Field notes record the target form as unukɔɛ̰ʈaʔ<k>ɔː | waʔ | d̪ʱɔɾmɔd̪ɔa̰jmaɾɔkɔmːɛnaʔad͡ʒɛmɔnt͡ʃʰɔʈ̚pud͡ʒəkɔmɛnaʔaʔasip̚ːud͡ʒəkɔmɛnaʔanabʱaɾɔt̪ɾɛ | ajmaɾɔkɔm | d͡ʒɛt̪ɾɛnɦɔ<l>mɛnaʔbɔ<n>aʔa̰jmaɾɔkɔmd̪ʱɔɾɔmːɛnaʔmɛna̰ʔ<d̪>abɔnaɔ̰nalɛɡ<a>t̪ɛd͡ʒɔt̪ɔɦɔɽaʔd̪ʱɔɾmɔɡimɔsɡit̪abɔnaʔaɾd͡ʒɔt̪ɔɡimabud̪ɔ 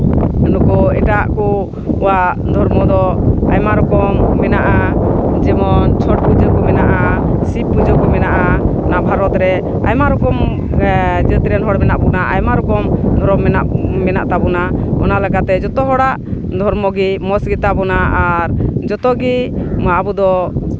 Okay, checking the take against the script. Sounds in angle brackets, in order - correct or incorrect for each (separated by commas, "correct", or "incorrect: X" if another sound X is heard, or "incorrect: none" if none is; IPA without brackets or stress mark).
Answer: correct, incorrect: ɽ, correct, incorrect: t̪, correct